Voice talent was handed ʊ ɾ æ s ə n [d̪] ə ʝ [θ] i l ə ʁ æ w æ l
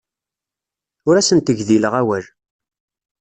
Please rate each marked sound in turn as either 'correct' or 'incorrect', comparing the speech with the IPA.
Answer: incorrect: t̪, incorrect: ð

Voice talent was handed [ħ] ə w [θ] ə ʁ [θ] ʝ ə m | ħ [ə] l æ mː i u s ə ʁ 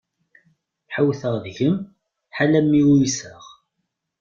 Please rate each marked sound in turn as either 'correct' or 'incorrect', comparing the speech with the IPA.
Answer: correct, correct, incorrect: ð, incorrect: a

